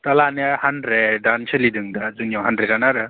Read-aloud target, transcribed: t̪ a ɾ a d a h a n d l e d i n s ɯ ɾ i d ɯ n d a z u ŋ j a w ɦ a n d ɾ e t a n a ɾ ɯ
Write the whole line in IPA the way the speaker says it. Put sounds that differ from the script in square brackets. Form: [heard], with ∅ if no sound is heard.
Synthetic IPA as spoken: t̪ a [l] a [n] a h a n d [ɾ] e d [a] n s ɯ [l] i d ɯ [ŋ] d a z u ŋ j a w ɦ a n d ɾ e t a n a ɾ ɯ